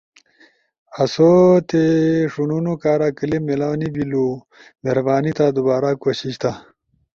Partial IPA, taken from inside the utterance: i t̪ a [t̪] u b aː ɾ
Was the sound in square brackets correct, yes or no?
no